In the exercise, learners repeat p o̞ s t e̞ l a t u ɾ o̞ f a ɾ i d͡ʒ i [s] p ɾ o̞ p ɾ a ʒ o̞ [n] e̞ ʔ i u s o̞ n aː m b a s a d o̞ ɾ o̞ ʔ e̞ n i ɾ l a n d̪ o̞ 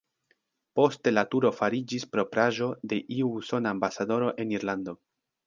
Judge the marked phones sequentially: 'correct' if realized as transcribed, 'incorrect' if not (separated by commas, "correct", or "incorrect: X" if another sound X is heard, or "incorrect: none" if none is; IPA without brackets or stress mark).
correct, incorrect: d